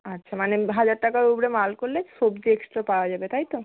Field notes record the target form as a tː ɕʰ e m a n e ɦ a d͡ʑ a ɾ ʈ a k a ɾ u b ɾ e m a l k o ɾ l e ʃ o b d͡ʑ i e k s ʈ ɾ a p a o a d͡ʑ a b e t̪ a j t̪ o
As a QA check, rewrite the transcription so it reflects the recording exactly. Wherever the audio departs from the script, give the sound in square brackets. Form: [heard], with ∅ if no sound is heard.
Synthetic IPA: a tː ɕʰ [a] m a n e ɦ a d͡ʑ a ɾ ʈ a k a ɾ u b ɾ e m a l k o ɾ l e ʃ o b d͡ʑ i e k s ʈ ɾ a p a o a d͡ʑ a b e t̪ a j t̪ o